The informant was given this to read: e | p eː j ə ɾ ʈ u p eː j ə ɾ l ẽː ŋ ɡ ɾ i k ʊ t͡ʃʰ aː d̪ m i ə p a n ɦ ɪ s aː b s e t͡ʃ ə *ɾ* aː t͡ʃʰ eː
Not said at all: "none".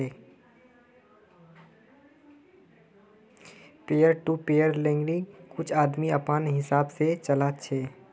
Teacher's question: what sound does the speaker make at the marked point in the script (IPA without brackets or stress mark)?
l